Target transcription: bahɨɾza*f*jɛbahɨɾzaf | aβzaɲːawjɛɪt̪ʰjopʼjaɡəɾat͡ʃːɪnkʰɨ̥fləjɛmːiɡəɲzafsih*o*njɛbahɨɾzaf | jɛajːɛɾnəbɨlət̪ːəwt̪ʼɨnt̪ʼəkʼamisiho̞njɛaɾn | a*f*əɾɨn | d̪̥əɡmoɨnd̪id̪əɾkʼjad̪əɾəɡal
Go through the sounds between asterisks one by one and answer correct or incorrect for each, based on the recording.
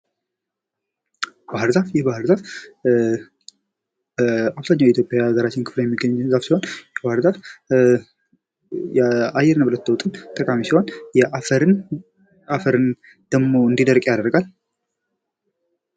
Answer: correct, correct, correct

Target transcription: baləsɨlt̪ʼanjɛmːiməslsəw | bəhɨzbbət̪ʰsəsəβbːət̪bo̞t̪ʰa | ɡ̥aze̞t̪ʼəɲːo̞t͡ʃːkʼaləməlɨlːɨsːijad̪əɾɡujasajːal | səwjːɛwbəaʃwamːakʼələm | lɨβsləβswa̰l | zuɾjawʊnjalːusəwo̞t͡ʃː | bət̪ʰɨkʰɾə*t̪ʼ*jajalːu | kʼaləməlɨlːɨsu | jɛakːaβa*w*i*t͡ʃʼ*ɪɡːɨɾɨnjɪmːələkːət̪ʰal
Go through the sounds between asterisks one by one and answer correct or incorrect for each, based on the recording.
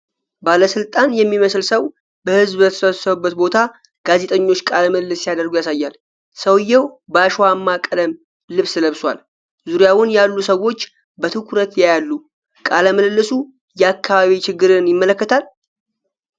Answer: incorrect: t̪, incorrect: β, incorrect: t͡ʃ

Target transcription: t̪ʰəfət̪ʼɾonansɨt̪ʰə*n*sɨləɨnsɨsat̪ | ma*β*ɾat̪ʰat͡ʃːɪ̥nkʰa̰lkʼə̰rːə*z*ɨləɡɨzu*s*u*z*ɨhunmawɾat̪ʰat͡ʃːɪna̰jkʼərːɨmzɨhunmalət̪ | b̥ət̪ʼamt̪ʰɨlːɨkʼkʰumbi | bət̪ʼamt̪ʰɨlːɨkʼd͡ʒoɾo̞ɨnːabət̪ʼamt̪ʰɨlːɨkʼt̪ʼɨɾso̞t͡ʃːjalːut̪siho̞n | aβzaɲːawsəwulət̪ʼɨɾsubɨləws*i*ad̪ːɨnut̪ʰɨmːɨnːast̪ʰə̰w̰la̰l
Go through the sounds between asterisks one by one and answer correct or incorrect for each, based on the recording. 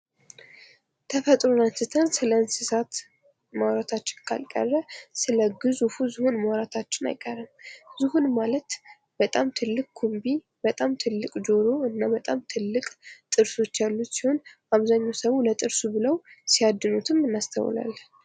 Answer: correct, incorrect: w, incorrect: s, incorrect: f, correct, correct

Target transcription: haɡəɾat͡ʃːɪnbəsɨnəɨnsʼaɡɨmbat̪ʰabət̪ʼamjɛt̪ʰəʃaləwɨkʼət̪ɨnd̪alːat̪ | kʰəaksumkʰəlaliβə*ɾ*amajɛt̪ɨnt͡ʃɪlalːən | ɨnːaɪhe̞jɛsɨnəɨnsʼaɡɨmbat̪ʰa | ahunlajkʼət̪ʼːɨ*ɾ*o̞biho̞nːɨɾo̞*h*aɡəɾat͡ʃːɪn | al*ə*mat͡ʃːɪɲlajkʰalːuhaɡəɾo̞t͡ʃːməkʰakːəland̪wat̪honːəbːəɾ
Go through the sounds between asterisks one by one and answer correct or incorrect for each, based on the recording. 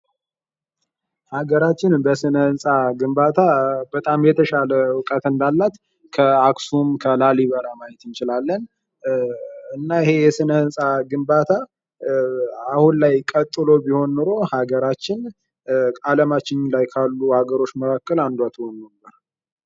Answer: correct, incorrect: l, correct, correct

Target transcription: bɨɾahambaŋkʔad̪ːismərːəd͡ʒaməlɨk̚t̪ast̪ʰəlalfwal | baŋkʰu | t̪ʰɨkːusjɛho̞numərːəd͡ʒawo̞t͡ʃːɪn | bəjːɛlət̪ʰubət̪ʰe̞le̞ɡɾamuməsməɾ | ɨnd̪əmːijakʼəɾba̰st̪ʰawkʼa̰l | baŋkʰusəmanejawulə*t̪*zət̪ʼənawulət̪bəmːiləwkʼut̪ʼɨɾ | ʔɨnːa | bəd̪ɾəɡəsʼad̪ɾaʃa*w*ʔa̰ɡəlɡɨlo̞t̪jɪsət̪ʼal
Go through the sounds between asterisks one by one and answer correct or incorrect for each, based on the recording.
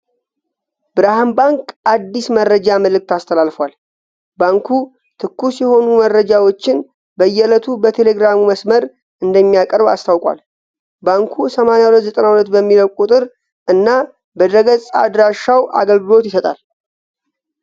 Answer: correct, correct

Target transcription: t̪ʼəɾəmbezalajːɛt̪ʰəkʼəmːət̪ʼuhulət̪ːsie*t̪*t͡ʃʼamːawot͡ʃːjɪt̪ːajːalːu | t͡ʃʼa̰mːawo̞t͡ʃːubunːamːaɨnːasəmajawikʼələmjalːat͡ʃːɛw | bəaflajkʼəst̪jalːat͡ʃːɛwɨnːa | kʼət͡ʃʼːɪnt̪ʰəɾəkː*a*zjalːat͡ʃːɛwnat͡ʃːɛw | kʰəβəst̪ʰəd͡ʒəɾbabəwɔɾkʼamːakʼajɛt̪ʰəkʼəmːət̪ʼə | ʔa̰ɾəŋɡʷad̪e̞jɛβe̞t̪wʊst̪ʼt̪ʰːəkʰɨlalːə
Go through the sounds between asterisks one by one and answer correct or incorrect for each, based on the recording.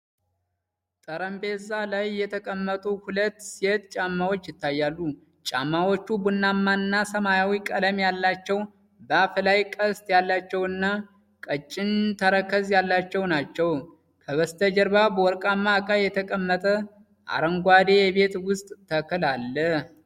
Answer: correct, incorrect: ə

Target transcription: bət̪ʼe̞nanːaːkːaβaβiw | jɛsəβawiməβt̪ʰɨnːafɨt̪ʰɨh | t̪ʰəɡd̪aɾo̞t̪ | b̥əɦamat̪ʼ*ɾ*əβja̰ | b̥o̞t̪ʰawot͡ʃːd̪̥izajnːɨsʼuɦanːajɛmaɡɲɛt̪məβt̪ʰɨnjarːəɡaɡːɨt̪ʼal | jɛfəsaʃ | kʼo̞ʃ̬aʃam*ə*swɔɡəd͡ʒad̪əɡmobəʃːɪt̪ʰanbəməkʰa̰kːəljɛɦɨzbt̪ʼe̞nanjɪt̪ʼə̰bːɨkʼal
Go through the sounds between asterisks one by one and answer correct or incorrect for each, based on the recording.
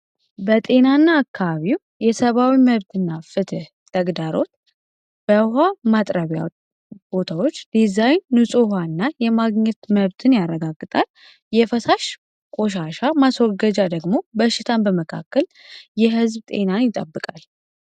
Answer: correct, incorrect: a

